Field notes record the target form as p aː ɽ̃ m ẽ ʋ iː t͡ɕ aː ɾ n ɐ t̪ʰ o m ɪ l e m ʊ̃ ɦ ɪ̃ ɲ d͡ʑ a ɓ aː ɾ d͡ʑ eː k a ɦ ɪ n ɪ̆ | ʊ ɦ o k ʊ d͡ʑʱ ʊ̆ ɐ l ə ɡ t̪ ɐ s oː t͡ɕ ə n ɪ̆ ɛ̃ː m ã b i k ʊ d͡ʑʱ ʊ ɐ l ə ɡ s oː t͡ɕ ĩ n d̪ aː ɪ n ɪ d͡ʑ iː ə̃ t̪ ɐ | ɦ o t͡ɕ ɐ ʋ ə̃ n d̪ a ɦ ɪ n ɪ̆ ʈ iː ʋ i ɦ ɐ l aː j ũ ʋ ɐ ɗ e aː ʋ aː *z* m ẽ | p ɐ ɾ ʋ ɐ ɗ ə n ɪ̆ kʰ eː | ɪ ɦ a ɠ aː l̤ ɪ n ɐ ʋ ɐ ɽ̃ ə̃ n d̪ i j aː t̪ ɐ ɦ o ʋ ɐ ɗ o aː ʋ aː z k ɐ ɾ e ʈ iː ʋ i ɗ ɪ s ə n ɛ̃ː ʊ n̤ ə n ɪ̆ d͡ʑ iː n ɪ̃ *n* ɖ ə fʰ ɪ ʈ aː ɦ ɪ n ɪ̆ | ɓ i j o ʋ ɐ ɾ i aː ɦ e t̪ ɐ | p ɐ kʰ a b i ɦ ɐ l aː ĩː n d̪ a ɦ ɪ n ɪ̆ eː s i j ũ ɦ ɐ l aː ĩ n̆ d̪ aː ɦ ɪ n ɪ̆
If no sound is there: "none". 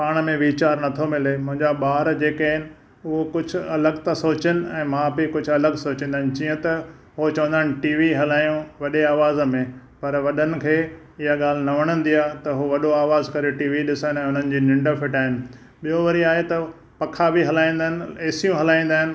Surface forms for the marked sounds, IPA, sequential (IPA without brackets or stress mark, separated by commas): z, ɳ